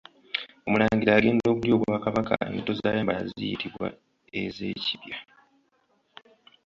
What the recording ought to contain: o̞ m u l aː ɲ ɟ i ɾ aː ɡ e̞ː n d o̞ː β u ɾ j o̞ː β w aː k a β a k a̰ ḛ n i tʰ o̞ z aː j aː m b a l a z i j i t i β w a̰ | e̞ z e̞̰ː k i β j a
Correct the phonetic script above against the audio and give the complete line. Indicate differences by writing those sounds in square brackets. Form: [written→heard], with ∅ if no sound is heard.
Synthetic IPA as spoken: o̞ m u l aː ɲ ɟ i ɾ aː ɡ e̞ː n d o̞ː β u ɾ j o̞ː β w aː k a β a k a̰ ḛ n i [tʰ→t] o̞ z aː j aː m b a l a z i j i t i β w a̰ | e̞ z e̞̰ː [k→c] i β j a

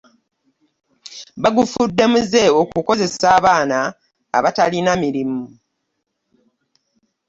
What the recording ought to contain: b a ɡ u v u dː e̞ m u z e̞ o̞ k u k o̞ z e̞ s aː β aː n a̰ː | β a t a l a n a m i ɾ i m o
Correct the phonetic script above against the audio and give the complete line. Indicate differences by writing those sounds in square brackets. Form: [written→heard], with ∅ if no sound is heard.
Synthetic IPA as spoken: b a ɡ u [v→f] u dː e̞ m u z e̞ o̞ k u k o̞ z e̞ s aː β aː n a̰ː | β a t a l [a→i] n a m i ɾ i m [o→u]

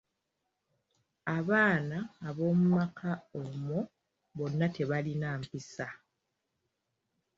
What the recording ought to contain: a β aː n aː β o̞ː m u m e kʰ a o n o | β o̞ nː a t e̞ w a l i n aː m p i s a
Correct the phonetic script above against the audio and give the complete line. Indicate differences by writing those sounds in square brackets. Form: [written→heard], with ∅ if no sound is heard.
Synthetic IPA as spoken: a β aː n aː β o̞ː m u m [e→a] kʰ a o [n→m] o | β o̞ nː a t e̞ [w→β] a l i n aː m p i s a

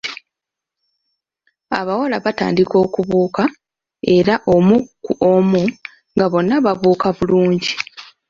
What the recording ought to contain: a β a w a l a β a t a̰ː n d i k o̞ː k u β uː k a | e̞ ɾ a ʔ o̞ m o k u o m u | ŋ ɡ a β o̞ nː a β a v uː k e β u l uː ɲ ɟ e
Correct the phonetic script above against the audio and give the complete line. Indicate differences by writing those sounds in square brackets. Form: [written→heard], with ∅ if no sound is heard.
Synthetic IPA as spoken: a β a w a l a β a t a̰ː n d i k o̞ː k u β uː k a | e̞ ɾ a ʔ o̞ m [o→u] k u o m u | ŋ ɡ a β o̞ nː a β a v uː k [e→a] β u l uː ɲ ɟ [e→i]

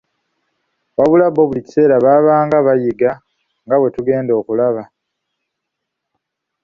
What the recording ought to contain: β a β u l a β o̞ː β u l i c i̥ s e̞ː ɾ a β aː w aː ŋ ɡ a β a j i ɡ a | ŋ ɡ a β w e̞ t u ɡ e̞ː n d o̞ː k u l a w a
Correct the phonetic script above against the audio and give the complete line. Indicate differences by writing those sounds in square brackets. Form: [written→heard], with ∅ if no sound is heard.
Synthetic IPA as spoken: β a β u l a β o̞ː β u l i c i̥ s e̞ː ɾ a β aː [w→β] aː ŋ ɡ a β a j i ɡ a | ŋ ɡ a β w e̞ t u ɡ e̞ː n d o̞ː k u l a [w→β] a

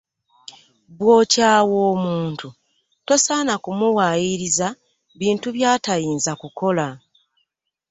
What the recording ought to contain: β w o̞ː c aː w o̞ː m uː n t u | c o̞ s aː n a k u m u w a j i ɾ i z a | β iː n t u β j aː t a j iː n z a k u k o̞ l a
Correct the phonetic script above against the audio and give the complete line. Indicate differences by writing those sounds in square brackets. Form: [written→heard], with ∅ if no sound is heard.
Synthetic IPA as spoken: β w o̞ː c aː w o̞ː m uː n t u | [c→t] o̞ s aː n a k u m u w a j i ɾ i z a | β iː n t u β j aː t a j iː n z a k u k o̞ l a

